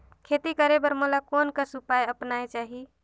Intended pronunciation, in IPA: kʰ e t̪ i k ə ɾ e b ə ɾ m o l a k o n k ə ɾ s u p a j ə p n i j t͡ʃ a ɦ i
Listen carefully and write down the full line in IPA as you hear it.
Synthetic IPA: kʰ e t̪ i k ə ɾ e b ə ɾ m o l a k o n k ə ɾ s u p a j ə p n a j t͡ʃ a ɦ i